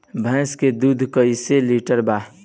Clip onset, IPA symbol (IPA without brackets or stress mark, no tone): bʱ